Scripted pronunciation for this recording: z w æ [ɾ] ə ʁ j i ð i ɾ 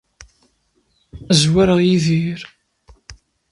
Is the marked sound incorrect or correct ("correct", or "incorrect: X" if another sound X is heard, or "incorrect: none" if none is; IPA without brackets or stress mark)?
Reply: correct